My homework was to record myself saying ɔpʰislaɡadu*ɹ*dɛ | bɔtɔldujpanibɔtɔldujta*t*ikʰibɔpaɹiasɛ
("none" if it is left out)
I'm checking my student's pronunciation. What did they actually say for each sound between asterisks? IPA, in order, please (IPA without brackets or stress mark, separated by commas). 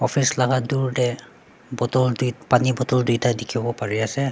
ɹ, d